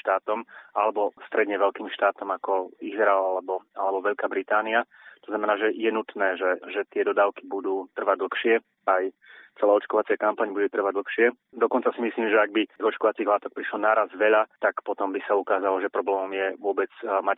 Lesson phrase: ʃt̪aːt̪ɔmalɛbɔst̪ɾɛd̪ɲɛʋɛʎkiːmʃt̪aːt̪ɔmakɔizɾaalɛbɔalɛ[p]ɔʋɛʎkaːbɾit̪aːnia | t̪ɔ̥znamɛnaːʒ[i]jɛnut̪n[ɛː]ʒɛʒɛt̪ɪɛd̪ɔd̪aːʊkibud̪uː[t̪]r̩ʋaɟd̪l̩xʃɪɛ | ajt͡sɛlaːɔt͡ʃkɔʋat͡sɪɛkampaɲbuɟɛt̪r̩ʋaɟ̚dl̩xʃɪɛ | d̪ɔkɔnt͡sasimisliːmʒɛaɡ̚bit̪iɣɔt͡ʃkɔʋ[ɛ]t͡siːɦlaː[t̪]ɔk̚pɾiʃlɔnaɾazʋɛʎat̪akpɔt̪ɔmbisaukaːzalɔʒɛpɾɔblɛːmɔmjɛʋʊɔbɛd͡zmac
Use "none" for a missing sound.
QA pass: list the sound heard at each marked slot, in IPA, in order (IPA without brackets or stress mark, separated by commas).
b, ɛ, ɛː, t̪, a, t̪